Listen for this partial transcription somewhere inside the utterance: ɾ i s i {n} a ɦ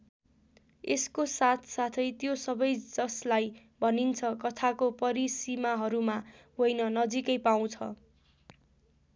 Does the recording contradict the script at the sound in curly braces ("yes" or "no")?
yes